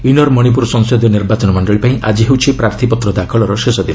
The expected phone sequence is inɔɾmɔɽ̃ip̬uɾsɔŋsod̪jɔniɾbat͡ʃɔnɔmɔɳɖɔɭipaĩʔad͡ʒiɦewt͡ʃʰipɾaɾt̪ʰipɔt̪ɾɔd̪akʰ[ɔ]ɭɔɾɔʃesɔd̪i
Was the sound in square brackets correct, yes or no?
yes